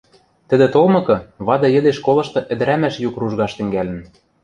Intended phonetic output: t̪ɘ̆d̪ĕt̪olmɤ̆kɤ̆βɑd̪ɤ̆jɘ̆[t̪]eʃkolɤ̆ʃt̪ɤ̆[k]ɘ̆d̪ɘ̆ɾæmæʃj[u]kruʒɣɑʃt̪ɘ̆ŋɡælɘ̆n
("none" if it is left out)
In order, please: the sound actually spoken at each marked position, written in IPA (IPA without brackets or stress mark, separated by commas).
d̪, ʔ, u